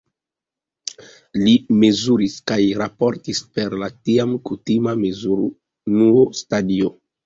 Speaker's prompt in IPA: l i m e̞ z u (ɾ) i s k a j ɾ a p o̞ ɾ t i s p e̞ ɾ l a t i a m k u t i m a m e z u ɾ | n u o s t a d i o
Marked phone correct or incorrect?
correct